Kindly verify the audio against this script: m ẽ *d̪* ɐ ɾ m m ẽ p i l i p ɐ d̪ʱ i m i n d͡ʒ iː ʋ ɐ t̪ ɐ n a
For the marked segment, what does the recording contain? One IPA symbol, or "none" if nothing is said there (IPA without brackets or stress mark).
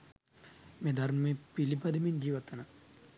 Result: d̪